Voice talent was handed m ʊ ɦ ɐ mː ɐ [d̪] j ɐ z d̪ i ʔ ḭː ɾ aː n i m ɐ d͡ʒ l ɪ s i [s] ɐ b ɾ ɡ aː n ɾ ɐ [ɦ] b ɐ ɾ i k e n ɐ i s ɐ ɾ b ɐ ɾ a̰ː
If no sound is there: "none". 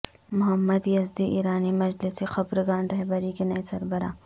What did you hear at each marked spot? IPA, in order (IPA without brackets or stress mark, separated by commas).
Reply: d̪, x, ɦ